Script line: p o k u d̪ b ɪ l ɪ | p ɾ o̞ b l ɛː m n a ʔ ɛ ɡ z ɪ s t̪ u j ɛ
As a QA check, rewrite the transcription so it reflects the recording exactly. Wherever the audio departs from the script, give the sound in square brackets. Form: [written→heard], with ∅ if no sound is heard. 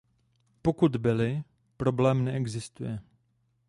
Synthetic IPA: p o k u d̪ b ɪ l ɪ | p ɾ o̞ b l ɛː m n [a→ɛ] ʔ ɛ ɡ z ɪ s t̪ u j ɛ